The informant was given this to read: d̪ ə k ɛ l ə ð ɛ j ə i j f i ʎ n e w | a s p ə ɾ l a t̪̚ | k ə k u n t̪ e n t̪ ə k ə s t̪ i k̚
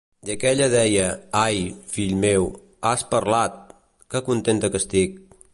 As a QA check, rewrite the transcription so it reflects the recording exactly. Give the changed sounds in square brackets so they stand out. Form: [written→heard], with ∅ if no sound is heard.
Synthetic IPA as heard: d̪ ə k ɛ [l→ʎ] ə ð ɛ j ə [i→a] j f i ʎ [n→m] e w | a s p ə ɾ l a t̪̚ | k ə k u n t̪ e n t̪ ə k ə s t̪ i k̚